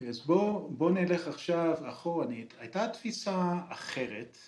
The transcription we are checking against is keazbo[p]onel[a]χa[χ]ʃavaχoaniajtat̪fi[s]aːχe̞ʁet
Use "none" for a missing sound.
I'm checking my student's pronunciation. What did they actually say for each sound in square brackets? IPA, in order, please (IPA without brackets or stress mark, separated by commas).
b, e, χ, s